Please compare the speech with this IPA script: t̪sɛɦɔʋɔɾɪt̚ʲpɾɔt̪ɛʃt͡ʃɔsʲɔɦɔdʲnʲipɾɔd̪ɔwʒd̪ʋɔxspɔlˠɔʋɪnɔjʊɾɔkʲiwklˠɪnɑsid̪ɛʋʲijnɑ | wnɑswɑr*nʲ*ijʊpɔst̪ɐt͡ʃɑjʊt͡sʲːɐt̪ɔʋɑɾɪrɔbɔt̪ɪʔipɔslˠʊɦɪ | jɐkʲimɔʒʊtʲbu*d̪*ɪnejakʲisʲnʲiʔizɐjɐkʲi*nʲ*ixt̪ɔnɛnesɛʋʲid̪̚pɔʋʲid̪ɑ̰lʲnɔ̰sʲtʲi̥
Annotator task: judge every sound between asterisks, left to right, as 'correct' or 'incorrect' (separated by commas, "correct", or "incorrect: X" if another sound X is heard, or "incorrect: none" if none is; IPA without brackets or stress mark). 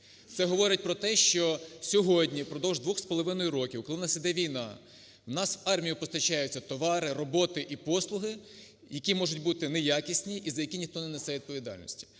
incorrect: mʲ, incorrect: t̪, correct